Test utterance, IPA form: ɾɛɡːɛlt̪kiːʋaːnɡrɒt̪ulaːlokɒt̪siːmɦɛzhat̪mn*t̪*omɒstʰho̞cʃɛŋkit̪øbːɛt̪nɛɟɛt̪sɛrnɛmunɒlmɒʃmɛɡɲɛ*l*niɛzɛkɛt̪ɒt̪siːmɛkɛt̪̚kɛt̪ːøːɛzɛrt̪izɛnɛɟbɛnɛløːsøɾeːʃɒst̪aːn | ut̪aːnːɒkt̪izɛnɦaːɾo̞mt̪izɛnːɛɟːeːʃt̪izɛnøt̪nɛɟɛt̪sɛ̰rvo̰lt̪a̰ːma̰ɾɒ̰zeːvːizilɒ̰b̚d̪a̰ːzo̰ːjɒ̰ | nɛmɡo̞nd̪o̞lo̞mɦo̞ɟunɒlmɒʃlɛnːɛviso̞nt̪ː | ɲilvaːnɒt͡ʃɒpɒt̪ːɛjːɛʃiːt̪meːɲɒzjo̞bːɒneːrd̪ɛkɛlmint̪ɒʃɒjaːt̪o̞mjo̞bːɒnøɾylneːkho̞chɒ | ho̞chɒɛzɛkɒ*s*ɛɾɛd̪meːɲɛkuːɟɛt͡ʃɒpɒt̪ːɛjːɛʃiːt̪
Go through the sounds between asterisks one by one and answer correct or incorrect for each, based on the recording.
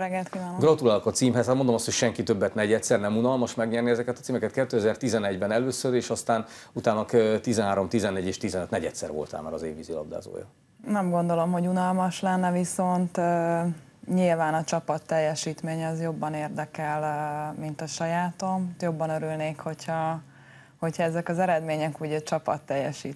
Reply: incorrect, incorrect, incorrect

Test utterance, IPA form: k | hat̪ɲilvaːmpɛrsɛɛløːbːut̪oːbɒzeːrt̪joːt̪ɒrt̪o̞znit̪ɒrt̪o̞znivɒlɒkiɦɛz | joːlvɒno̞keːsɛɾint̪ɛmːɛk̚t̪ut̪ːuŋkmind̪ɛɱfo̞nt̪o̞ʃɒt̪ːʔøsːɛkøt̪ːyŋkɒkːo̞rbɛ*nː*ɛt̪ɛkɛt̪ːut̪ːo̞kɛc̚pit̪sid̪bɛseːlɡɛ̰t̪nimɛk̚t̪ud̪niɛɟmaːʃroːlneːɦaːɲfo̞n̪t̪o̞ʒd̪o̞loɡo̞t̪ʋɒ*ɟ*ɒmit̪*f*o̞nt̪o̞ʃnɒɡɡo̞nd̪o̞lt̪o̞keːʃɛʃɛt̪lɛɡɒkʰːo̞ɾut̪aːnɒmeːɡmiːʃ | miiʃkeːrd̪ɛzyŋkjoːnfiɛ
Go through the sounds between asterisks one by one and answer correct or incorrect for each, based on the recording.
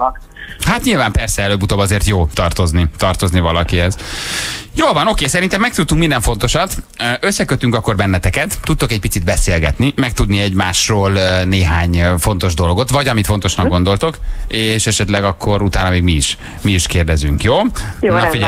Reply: correct, correct, correct

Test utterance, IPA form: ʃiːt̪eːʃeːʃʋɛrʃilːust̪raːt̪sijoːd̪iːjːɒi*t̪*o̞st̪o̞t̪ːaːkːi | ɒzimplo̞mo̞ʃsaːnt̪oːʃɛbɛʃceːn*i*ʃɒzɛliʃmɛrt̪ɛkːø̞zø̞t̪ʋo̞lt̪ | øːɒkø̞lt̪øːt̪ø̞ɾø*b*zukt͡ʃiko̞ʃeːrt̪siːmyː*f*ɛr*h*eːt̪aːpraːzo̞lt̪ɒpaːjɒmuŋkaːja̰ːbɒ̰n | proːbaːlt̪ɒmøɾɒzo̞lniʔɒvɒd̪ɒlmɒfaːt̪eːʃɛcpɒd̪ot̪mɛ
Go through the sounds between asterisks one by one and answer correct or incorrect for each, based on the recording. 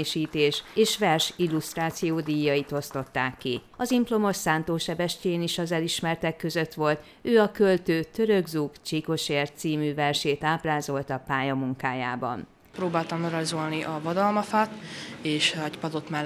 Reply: correct, correct, incorrect, incorrect, incorrect

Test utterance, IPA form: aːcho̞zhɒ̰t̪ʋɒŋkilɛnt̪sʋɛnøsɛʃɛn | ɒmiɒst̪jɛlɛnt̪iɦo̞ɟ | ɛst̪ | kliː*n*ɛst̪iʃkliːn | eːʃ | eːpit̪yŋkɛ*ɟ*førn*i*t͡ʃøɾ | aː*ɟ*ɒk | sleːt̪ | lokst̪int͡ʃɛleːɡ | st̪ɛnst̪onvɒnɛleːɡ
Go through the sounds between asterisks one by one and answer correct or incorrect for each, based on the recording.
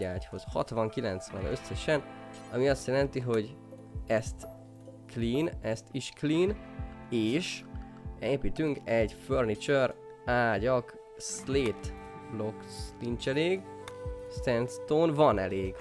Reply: correct, correct, correct, correct

